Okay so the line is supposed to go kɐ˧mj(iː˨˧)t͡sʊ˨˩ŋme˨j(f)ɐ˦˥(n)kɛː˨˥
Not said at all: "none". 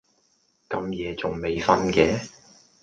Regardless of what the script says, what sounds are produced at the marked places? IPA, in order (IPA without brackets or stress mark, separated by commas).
ɛː˨˧, f, n